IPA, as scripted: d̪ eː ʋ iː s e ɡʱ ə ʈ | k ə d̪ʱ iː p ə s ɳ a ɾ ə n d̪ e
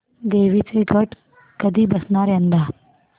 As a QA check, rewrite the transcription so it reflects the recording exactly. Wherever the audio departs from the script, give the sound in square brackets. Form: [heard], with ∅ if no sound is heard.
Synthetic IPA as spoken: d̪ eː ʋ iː [t͡s] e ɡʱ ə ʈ | k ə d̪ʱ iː [b] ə s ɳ a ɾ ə n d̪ [a]